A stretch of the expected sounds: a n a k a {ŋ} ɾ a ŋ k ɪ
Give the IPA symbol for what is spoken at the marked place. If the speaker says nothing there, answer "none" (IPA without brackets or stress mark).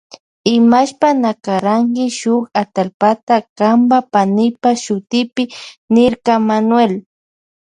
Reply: none